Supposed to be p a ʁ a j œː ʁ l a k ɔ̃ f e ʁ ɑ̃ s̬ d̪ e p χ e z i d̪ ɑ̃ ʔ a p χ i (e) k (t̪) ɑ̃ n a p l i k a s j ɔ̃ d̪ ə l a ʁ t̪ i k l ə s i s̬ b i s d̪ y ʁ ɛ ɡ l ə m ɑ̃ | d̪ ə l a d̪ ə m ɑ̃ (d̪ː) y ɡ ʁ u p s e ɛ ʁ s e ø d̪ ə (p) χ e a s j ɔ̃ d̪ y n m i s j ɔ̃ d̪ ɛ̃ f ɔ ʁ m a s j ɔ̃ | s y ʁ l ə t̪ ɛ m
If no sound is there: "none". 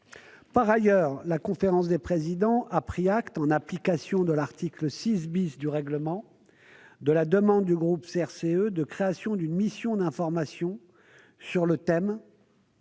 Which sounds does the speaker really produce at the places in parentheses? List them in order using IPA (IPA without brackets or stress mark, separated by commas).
a, t̪, d̪ː, k